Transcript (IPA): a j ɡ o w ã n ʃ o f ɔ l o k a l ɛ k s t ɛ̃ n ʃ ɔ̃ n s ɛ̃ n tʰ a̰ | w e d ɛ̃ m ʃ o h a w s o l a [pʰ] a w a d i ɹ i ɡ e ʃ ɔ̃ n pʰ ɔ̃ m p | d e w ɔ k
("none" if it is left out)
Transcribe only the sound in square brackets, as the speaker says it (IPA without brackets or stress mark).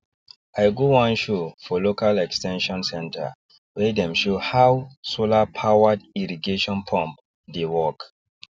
pʰ